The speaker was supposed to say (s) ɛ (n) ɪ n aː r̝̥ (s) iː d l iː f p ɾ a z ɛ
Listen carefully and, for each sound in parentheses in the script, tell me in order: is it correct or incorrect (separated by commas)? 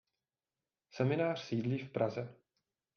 correct, incorrect, correct